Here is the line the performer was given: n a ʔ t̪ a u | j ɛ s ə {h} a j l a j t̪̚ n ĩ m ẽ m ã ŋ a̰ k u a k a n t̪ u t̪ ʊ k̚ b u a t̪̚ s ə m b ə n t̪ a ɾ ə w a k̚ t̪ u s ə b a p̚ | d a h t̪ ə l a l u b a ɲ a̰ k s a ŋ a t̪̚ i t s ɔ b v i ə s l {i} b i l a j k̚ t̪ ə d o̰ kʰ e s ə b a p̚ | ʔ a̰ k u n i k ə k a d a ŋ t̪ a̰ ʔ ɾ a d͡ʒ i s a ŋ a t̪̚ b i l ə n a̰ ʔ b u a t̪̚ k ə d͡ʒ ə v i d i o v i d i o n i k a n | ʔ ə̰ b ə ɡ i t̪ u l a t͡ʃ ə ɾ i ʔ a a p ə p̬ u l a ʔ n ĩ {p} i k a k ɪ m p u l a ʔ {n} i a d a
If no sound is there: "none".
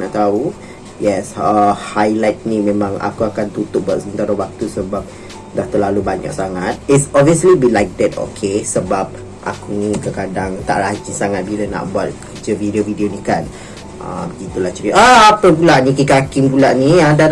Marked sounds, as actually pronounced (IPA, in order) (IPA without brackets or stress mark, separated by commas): h, i, k, n